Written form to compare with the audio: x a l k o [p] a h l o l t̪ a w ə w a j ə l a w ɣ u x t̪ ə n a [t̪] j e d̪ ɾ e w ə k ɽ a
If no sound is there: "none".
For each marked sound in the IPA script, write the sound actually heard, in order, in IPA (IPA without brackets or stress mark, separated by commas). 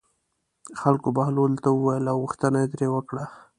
b, none